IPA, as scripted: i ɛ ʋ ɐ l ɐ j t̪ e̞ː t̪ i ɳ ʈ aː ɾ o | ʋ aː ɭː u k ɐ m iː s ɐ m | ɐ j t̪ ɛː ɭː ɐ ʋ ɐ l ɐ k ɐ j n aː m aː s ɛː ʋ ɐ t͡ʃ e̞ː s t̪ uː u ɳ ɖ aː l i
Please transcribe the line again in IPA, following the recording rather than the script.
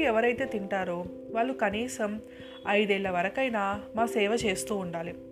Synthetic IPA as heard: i ɛ ʋ ɐ ɾ ɐ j t̪ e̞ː t̪ i ɳ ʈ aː ɾ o | ʋ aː ɭː u k ɐ n iː s ɐ m | ɐ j d̪ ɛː ɭː ɐ ʋ ɐ ɾ ɐ k ɐ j n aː m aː s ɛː ʋ ɐ t͡ʃ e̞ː s t̪ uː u ɳ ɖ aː l i